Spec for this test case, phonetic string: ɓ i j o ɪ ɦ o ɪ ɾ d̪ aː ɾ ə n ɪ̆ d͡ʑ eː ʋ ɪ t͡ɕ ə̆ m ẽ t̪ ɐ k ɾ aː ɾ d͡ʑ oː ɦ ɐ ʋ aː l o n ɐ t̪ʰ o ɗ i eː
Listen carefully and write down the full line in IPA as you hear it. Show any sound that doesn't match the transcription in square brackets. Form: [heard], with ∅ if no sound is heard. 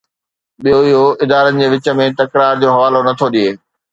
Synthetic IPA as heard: ɓ i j o ɪ ɦ o ɪ [∅] d̪ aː ɾ ə n ɪ̆ d͡ʑ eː ʋ ɪ t͡ɕ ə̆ m ẽ t̪ ɐ k ɾ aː ɾ d͡ʑ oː ɦ ɐ ʋ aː l o n ɐ t̪ʰ o ɗ i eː